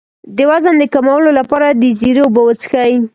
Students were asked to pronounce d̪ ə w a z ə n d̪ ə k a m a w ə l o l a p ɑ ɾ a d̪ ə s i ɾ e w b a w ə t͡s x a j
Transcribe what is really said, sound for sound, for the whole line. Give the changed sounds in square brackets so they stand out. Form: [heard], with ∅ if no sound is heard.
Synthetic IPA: d̪ ə w a z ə n d̪ ə k a m a w ə l o l a p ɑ ɾ a d̪ ə [z] i ɾ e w b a w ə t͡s x a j

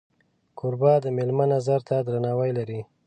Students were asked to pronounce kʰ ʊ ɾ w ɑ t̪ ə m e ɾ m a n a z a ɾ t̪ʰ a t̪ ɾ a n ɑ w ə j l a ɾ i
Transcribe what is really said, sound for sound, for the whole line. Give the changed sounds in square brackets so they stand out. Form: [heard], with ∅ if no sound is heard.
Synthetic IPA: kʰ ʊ ɾ [b] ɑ [d̪] ə m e [l] m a n a z a ɾ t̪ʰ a [d̪] ɾ a n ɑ w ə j l a ɾ i

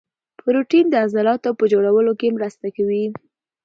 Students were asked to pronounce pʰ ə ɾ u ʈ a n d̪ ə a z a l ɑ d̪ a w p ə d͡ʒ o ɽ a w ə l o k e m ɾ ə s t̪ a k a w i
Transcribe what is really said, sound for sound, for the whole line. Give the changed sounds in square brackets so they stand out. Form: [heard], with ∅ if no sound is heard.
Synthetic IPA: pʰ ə ɾ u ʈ [i] n d̪ ə a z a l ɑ [t̪] a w p ə d͡ʒ o ɽ a w ə l o k e m ɾ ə s t̪ a k a w i

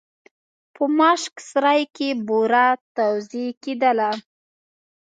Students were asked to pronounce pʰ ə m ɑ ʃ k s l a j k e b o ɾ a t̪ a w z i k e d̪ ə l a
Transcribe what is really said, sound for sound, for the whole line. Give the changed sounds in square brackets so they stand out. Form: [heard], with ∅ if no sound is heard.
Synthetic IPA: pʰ ə m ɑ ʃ k s [ɾ] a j k e b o ɾ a t̪ a w z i k e d̪ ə l a

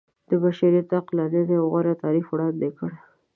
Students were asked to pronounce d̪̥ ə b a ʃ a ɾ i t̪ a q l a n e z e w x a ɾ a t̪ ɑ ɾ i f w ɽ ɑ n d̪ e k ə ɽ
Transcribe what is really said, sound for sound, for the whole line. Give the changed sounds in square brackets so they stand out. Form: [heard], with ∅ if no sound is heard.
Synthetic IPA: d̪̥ ə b a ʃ a ɾ i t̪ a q l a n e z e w [ɣ] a ɾ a t̪ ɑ ɾ i f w ɽ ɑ n d̪ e k ə ɽ

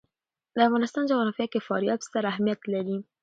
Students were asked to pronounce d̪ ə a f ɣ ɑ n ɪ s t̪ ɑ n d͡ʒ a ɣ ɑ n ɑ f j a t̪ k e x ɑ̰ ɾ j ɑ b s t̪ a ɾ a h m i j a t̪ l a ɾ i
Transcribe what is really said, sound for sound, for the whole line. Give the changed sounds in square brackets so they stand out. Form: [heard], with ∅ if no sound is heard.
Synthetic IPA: d̪ ə a f ɣ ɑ n ɪ s t̪ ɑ n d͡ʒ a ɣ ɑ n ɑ f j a [∅] k e [f] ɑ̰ ɾ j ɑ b s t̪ a ɾ a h m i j a t̪ l a ɾ i

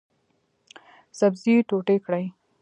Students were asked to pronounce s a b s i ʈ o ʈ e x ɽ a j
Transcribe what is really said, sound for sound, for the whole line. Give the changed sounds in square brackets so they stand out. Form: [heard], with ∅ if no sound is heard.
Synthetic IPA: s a b [z] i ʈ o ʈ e [k] ɽ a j

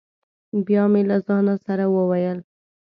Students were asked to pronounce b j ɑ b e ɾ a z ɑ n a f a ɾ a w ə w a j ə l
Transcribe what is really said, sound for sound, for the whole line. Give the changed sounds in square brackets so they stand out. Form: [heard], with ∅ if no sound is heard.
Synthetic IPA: b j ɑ [m] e [l] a z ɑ n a [s] a ɾ a w ə w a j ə l

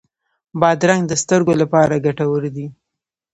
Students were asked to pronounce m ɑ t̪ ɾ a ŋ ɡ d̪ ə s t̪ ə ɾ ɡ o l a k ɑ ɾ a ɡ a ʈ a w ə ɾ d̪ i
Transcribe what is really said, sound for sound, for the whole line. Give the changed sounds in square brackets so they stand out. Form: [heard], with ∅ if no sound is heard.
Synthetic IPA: [b] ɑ [d̪] ɾ a ŋ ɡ d̪ ə s t̪ ə ɾ ɡ o l a [p] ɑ ɾ a ɡ a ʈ a w ə ɾ d̪ i

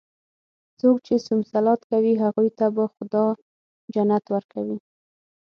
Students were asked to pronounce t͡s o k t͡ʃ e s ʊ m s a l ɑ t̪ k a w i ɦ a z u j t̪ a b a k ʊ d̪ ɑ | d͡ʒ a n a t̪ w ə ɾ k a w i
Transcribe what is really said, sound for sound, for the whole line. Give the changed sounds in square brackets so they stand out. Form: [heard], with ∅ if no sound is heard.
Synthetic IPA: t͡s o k t͡ʃ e s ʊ m s a l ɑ t̪ k a w i ɦ a [ɣ] u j t̪ a b a [x] ʊ d̪ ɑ | d͡ʒ a n a t̪ w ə ɾ k a w i

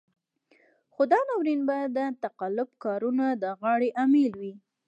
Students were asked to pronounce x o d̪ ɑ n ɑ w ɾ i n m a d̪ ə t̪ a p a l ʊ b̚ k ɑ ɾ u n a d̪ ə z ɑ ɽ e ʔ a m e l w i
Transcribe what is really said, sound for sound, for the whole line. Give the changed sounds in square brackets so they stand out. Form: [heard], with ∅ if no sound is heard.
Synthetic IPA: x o d̪ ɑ n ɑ w ɾ i n [b] a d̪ ə t̪ a [q] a l ʊ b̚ k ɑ ɾ u n a d̪ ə [ɣ] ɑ ɽ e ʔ a m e l w i

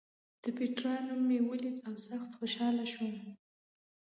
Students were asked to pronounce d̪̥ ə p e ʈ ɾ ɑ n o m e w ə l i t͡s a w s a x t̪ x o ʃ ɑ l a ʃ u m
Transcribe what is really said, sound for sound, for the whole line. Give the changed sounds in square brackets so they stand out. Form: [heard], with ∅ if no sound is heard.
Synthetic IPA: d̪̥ ə p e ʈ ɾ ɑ n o m e w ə l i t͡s a w s a x t̪ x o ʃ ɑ l a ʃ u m

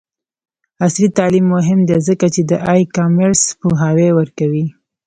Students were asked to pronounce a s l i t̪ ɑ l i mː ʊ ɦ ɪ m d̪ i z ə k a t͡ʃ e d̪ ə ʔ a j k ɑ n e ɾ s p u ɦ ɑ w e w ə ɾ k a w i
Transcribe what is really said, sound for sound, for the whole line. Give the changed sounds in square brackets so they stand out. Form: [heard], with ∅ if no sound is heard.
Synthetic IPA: a s l i t̪ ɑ l i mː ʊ ɦ ɪ m d̪ [e] z ə k a t͡ʃ e d̪ ə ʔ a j k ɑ [m] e ɾ s p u ɦ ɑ w e w ə ɾ k a w i

